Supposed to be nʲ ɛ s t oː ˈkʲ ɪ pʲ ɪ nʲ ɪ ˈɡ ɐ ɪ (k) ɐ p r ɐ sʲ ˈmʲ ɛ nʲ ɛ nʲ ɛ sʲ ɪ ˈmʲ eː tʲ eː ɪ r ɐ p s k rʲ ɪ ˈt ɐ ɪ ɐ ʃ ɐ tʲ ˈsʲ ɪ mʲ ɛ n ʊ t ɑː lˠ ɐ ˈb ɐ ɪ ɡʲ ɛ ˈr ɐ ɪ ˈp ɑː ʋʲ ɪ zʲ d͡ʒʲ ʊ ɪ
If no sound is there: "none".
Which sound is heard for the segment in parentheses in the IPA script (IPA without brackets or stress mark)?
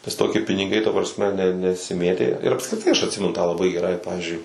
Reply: t